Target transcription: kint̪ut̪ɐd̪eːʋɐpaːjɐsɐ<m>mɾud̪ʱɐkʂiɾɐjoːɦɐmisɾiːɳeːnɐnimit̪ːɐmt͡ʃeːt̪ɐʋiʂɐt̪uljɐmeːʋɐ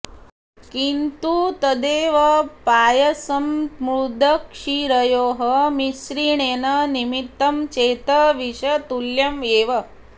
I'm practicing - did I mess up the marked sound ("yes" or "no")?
no